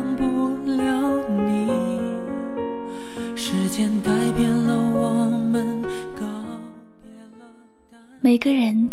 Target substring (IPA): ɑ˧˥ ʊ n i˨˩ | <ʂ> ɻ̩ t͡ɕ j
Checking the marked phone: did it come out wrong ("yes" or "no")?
no